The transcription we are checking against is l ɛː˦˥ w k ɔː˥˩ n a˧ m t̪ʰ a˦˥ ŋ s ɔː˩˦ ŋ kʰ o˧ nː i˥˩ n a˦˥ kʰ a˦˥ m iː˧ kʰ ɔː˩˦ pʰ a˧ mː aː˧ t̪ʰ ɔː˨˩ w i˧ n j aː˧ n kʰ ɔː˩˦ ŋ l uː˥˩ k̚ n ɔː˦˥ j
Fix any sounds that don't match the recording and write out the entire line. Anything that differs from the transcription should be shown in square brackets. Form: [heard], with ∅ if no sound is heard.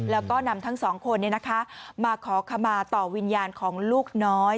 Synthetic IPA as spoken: l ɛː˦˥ w k ɔː˥˩ n a˧ m t̪ʰ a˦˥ ŋ s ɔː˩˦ ŋ kʰ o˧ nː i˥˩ n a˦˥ kʰ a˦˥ m [aː˧] kʰ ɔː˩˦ [kʰ] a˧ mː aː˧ [t̪] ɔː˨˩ w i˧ n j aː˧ n kʰ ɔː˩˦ ŋ l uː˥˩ k̚ n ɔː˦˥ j